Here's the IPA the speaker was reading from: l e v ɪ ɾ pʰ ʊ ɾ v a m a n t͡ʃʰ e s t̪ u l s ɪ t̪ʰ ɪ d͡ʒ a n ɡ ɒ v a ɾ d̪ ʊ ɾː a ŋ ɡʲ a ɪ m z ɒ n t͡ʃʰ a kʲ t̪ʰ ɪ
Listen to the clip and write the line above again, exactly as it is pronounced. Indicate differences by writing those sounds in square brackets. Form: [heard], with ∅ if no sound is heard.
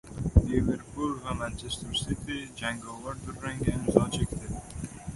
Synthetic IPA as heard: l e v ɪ ɾ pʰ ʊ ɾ v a m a n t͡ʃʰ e s t̪ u [ɾ] s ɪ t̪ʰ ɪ d͡ʒ a [ŋ] ɡ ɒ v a ɾ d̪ ʊ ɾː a ŋ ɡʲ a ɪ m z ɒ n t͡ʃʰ [e] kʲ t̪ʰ ɪ